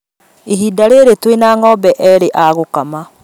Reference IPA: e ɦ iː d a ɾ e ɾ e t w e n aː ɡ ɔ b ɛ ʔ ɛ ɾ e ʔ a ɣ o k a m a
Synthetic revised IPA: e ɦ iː d a ɾ e ɾ e t w e n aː ŋ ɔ b ɛ ʔ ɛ ɾ e ʔ a ɣ o k a m a